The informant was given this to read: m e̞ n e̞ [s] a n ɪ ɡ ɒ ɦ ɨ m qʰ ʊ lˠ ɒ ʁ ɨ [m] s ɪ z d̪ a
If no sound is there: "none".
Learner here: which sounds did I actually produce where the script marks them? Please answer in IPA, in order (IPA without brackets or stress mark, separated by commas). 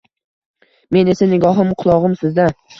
s, m